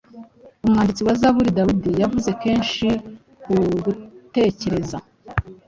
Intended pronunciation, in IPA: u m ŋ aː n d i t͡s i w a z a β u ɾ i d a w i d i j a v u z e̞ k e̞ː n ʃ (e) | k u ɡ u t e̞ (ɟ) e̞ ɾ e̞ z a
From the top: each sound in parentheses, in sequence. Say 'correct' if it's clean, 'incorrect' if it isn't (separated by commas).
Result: incorrect, incorrect